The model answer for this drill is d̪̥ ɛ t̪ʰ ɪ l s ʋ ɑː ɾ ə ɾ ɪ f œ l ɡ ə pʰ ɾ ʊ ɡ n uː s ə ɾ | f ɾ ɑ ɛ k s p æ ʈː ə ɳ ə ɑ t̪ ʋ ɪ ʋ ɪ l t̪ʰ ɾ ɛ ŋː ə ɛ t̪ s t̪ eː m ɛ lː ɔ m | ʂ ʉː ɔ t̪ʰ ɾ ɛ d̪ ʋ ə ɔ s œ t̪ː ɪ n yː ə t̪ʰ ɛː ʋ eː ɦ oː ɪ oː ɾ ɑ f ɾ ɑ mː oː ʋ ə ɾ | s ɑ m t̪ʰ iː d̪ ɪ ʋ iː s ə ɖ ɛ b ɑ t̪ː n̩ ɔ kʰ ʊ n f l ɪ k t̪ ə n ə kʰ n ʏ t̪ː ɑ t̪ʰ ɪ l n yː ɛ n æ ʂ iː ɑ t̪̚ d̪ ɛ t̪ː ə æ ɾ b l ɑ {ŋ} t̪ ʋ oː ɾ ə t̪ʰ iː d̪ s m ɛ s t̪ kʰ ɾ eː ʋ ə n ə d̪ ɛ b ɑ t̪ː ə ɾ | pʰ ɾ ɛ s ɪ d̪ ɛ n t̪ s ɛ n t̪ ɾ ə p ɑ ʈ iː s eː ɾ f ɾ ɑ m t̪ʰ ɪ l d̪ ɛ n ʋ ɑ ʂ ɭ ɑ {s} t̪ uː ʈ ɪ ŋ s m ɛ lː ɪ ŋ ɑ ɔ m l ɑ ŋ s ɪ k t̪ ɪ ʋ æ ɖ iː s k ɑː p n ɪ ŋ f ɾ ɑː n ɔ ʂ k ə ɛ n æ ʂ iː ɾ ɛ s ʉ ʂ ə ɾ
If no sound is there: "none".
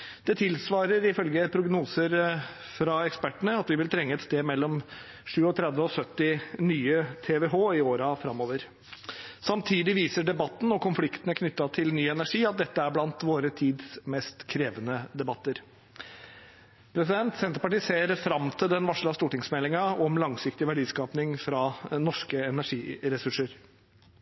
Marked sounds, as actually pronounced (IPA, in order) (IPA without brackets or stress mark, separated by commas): n, s